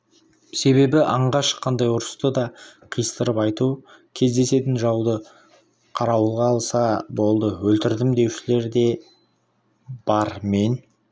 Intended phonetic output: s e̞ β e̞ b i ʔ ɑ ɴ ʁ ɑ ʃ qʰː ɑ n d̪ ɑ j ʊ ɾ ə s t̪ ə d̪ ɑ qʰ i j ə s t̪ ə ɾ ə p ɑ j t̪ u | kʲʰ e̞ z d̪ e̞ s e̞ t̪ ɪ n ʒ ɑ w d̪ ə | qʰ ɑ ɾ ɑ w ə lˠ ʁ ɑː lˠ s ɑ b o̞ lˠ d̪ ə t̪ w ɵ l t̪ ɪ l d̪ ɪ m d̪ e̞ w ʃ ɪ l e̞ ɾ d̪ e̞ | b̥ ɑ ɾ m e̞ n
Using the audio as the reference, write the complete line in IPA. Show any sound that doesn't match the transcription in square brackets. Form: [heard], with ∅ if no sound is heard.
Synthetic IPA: s e̞ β e̞ b [ɪ] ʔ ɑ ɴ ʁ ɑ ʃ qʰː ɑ n d̪ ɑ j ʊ ɾ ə s t̪ ə d̪ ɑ qʰ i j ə s t̪ ə ɾ ə p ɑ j t̪ u | kʲʰ e̞ z d̪ e̞ s e̞ t̪ ɪ n ʒ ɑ w d̪ ə | qʰ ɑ ɾ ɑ w ə lˠ ʁ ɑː lˠ s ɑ b o̞ lˠ d̪ ə [∅] w ɵ l t̪ ɪ [ɾ] d̪ ɪ m d̪ e̞ w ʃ ɪ l e̞ ɾ d̪ e̞ | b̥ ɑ ɾ m e̞ n